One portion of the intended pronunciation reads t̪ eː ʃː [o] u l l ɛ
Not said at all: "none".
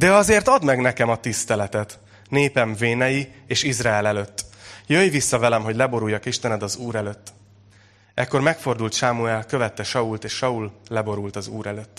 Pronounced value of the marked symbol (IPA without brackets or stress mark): ɒ